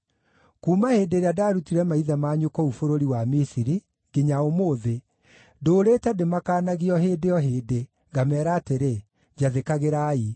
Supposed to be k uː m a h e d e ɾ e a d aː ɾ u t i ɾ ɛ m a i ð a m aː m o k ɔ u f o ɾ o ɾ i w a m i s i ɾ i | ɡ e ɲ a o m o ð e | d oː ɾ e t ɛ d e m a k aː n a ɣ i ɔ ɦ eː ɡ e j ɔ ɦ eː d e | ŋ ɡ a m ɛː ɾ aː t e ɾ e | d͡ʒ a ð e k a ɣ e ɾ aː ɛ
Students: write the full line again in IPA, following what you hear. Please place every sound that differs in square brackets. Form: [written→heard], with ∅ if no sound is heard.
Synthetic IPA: k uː m a h e d e ɾ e a d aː ɾ u t i ɾ ɛ m a i ð a m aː [m→ɲ] o k ɔ u f o ɾ o ɾ i w a m i s i ɾ i | ɡ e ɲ a o m o ð e | d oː ɾ e t ɛ d e m a k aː n a ɣ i ɔ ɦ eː [ɡ→d] e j ɔ ɦ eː d e | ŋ ɡ a m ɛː ɾ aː t e ɾ e | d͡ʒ a ð e k a ɣ e ɾ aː [ɛ→i]